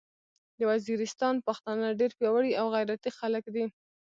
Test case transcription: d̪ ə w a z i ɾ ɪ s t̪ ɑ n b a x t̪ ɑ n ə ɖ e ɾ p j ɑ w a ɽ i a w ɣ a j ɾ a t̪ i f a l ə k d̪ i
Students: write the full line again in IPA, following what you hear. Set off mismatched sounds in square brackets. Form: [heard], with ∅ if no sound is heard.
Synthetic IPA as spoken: d̪ ə w a z i ɾ ɪ s t̪ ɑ n [p] a x t̪ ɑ n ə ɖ e ɾ p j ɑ w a ɽ i a w ɣ a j ɾ a t̪ i [x] a l ə k d̪ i

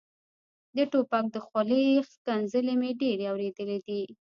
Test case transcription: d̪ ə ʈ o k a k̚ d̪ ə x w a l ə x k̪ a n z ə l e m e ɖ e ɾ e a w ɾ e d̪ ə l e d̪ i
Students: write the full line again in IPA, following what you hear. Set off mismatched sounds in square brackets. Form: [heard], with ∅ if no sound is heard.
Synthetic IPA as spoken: d̪ ə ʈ o [p] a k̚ d̪ ə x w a l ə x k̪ a n z ə l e m e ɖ e ɾ e a w ɾ e d̪ ə l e d̪ i

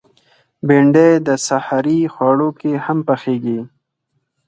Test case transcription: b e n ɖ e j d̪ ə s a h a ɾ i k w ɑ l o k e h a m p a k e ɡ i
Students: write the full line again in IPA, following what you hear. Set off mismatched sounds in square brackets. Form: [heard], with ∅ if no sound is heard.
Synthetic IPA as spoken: b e [ɳ] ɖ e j d̪ ə s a h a ɾ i [x] w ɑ [ɽ] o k e h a m p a [x] e ɡ i

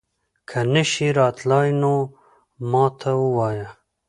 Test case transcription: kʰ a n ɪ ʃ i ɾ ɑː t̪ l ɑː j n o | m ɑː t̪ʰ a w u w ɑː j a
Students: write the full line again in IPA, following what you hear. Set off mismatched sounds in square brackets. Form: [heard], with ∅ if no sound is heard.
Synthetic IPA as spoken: kʰ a n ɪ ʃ i ɾ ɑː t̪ l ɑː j n o | m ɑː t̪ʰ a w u w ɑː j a

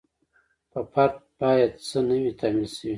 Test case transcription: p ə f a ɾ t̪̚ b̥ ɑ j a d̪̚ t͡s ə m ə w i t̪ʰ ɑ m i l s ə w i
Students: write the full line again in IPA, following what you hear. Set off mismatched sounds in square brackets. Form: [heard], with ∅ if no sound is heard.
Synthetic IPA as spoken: p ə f a ɾ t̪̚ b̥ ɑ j a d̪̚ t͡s ə [n] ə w i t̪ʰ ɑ m i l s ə w i

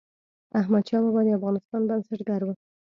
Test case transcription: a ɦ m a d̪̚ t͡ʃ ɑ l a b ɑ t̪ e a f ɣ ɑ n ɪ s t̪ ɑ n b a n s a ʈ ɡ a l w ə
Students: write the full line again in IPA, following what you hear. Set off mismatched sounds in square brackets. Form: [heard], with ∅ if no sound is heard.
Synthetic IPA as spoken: a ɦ m a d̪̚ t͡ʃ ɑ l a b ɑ [d̪] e a f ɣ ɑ n ɪ s t̪ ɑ n b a n s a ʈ ɡ a [ɾ] w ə

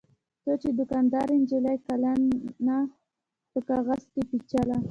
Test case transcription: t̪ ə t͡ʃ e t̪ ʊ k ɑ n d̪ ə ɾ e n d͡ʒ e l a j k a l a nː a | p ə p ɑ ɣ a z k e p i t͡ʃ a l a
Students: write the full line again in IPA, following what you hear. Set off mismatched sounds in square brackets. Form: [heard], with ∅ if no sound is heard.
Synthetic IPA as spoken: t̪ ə t͡ʃ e [d̪] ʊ k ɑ n d̪ [ɑ] ɾ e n d͡ʒ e l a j k a l a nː a | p ə [k] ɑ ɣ a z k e p i t͡ʃ a l a

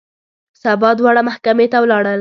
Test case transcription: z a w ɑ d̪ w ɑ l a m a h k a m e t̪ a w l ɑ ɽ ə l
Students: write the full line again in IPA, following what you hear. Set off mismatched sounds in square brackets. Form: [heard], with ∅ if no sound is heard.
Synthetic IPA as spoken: [s] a [b] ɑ d̪ w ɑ [ɽ] a m a h k a m e t̪ a w l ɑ ɽ ə l

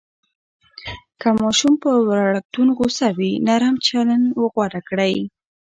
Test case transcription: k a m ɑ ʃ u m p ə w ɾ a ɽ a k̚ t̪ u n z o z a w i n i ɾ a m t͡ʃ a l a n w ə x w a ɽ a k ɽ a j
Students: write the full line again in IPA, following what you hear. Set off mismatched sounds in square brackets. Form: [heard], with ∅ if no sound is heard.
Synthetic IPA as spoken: k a m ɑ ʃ u m p ə w ɾ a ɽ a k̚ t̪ u n [ɣ] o [s] a w i n [a] ɾ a m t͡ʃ a l a n w ə [ɣ] w a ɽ a k ɽ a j

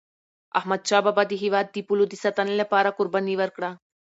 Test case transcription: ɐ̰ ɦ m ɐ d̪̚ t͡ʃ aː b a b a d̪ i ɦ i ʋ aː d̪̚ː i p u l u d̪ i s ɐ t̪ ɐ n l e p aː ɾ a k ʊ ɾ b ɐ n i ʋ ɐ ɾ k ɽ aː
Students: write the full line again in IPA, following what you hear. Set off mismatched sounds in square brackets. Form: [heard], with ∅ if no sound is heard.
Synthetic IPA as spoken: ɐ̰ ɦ m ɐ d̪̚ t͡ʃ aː b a b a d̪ i ɦ i ʋ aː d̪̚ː i p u l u d̪ i s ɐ t̪ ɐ n l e p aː ɾ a k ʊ ɾ b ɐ n i ʋ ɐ ɾ k ɽ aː

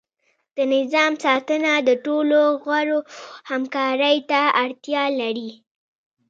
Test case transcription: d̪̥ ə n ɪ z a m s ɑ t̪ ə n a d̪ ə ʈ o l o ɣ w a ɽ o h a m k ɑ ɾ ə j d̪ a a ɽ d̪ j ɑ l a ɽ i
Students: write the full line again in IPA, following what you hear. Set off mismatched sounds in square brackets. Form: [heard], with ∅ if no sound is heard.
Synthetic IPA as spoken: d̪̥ ə n ɪ z [ɑ] m s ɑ t̪ ə n a d̪ ə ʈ o l o ɣ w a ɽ o h a m k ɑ ɾ ə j [t̪] a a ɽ [t̪] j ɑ l a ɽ i

